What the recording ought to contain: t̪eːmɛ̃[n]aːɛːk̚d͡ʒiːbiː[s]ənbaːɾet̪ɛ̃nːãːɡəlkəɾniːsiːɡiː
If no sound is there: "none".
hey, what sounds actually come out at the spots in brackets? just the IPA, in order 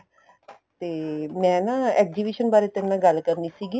n, ʃ

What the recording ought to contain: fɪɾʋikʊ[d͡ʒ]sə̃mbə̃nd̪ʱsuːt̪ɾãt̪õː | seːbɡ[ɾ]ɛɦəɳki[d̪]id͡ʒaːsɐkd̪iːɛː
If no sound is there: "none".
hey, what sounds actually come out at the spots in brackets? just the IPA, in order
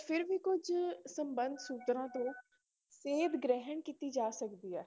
d͡ʒ, ɾ, t̪

